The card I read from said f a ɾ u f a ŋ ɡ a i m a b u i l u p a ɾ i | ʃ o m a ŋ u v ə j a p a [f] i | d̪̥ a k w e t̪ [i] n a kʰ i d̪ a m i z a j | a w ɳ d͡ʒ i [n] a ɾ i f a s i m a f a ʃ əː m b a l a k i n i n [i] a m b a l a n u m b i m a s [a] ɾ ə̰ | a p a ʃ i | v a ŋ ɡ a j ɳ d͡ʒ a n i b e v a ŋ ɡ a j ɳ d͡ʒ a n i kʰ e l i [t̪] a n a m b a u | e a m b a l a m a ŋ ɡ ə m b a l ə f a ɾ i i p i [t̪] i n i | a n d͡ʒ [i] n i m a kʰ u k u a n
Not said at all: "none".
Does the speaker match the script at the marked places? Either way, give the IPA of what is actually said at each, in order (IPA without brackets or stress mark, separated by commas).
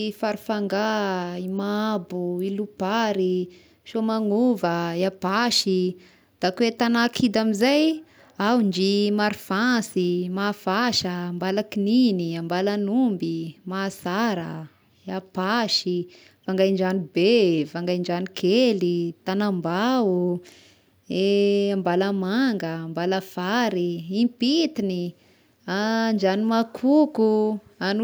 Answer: ʃ, a, m, i, a, t̪, t̪, a